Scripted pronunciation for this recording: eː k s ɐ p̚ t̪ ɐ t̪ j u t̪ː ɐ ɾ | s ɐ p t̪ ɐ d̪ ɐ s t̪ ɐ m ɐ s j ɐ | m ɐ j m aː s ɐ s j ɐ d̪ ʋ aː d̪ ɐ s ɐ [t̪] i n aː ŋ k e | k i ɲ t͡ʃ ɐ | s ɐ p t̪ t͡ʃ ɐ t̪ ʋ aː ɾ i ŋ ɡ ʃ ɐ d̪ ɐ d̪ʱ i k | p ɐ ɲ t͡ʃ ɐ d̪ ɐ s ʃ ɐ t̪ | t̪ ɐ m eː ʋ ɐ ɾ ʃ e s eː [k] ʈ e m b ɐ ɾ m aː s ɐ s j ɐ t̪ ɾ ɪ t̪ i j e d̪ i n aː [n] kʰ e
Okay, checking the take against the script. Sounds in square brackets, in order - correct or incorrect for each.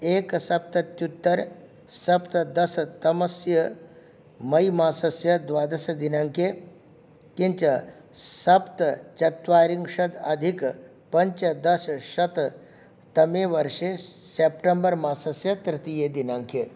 incorrect: d̪, incorrect: p, incorrect: ŋ

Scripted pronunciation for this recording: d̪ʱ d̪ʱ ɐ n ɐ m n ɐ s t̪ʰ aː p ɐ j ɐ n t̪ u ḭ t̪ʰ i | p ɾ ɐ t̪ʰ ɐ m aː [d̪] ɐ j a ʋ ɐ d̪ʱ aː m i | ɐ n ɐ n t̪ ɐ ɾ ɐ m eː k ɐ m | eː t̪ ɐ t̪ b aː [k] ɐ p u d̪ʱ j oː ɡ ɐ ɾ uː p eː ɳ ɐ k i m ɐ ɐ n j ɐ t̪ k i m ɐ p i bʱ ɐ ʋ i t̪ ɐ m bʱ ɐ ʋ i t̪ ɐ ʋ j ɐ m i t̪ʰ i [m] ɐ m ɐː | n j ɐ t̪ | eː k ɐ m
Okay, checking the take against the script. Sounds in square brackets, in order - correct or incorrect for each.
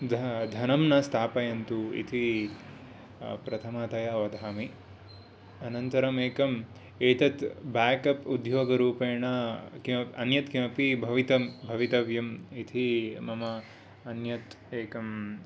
incorrect: t̪, correct, correct

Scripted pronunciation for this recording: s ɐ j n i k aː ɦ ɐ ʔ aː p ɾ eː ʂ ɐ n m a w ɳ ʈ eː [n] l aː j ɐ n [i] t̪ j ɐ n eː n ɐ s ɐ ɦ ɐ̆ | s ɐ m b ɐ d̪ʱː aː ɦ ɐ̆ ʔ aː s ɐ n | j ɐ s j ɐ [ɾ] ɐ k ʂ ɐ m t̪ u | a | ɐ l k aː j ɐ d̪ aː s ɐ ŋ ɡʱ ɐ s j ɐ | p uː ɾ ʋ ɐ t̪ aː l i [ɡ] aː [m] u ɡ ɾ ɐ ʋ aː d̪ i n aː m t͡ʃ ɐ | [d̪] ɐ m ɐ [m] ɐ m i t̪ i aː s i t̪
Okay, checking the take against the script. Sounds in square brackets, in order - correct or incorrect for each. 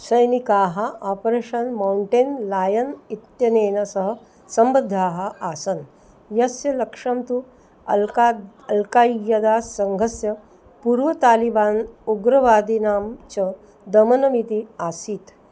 correct, correct, incorrect: l, incorrect: b, incorrect: n, correct, incorrect: n

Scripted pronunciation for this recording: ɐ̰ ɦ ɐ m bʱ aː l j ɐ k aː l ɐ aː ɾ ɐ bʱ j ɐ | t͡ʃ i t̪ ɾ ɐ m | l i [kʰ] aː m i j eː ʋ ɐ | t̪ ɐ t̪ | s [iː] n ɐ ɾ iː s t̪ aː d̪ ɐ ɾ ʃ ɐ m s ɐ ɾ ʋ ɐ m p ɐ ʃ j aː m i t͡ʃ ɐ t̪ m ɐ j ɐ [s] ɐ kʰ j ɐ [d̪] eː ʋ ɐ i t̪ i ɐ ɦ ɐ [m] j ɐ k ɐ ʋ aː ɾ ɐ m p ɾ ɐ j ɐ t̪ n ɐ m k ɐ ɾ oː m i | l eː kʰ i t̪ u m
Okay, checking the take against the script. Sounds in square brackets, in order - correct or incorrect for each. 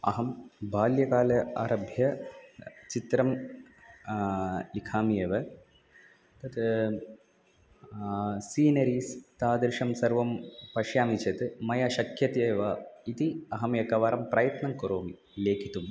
correct, correct, incorrect: ʃ, incorrect: t̪, correct

